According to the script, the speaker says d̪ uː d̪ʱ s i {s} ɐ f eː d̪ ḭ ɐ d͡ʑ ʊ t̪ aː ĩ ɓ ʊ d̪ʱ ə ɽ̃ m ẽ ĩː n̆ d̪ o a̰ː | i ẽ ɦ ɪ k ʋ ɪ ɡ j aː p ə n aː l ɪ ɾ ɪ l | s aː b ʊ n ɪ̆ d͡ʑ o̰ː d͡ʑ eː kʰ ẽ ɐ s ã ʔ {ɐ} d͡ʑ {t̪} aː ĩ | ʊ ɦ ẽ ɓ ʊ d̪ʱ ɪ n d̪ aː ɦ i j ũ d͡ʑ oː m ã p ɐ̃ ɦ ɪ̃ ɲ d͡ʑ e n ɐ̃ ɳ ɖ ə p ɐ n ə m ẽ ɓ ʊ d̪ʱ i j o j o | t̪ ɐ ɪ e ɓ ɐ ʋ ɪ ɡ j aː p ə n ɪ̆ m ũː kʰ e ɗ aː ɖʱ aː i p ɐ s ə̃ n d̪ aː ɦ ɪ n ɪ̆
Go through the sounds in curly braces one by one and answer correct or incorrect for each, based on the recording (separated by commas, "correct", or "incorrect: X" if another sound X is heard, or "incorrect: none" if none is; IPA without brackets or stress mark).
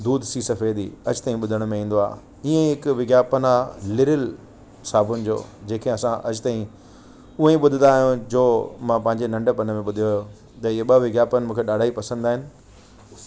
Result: correct, correct, correct